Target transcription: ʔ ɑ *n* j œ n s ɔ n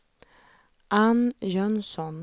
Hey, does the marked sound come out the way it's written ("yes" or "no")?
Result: yes